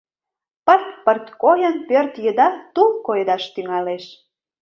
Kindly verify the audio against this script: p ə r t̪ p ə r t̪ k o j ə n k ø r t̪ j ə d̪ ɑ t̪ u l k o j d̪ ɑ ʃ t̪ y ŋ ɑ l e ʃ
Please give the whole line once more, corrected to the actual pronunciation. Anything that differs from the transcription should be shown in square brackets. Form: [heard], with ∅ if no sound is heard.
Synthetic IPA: p ə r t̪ p ə r t̪ k o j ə n [p] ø r t̪ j ə d̪ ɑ t̪ u l k o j d̪ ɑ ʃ t̪ y ŋ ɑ l e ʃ